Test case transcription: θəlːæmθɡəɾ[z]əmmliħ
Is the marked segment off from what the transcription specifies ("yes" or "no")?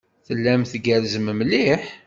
no